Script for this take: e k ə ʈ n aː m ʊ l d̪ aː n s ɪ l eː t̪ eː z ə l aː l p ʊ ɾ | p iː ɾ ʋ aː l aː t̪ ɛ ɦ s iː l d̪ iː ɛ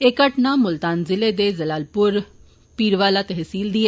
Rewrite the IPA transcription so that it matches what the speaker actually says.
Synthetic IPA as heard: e k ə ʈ n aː m ʊ l t̪ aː n z ɪ l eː d̪ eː z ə l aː l p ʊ ɾ | p iː ɾ ʋ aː l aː t̪ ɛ ɦ s iː l d̪ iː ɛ